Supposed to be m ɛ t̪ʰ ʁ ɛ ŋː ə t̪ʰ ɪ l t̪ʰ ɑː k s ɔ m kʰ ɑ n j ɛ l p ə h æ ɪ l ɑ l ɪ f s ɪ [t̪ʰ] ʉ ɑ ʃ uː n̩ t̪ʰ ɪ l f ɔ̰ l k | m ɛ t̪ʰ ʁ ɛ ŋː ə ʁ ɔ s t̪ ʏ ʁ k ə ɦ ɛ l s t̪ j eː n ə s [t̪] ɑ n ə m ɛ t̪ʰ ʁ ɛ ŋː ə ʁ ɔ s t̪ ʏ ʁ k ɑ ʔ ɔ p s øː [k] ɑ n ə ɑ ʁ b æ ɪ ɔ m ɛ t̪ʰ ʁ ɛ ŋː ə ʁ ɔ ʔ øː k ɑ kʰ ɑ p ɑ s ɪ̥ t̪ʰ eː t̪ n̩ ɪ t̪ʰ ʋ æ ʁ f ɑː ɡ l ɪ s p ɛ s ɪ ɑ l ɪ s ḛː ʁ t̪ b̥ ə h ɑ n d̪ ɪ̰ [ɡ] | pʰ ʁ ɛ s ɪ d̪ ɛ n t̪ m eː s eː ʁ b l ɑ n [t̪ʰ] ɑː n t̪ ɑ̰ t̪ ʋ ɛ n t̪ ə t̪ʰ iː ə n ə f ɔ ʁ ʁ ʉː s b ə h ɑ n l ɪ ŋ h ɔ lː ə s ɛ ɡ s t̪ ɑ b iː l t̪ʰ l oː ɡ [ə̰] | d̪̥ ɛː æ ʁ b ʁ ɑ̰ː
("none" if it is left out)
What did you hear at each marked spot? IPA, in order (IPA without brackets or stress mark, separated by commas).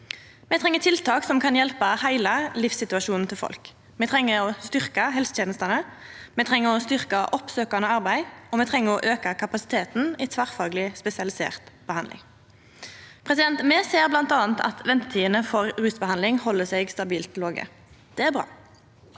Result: t̪, t̪, k, ŋ, t̪, ə̰